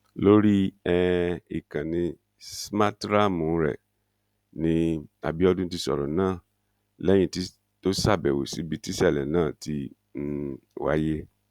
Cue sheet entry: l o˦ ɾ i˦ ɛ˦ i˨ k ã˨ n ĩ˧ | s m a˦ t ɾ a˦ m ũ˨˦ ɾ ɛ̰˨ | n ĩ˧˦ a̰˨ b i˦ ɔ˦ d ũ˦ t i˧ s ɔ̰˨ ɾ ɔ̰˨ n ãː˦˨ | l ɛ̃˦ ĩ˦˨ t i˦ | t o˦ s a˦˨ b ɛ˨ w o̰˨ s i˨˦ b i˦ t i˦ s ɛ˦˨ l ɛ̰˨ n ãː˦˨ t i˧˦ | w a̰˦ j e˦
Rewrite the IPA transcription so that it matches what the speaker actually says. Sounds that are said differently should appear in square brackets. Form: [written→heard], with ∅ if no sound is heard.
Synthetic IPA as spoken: l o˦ ɾ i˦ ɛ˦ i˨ k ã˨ n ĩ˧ | s m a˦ t ɾ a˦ m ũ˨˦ ɾ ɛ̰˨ | n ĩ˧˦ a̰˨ b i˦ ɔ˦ d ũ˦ t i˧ s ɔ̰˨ ɾ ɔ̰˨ n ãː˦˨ | l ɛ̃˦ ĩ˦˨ t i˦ | t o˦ s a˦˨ b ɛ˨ w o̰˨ s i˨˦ b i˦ t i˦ s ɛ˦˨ l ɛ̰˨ n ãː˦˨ t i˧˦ | w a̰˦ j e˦